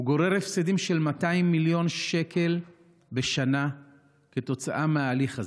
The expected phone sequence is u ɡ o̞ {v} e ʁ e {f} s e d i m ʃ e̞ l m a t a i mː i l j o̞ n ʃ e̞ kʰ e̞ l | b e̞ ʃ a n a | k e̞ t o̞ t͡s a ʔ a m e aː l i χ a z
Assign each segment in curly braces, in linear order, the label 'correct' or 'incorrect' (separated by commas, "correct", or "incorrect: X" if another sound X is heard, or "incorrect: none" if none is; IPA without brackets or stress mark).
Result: incorrect: ʁ, correct